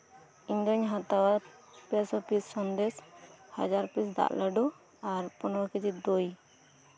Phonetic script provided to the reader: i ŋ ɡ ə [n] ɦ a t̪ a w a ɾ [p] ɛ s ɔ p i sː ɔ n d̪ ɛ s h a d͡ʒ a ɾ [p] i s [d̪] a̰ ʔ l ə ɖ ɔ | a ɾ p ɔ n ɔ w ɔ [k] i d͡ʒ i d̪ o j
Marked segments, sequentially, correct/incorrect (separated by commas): incorrect, correct, correct, correct, correct